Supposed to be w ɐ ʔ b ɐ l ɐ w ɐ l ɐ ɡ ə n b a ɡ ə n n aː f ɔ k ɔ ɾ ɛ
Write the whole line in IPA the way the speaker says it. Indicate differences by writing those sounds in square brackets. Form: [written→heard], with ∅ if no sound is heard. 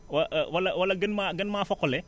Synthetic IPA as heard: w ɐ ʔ [b→w] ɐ l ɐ w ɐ l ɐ ɡ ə n [b→m] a ɡ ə n [n→m] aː f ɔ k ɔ [ɾ→l] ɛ